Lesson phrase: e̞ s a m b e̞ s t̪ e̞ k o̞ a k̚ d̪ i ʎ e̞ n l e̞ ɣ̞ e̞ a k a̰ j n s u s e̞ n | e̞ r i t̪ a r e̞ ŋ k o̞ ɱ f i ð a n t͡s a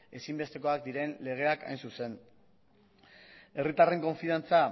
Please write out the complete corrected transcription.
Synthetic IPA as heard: e̞ s i m b e̞ s t̪ e̞ k o̞ a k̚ d̪ i ɾ e̞ n l e̞ ɣ̞ e̞ a k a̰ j n s u s e̞ n | e̞ r i t̪ a r e̞ ŋ k o̞ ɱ f i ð a n t͡s a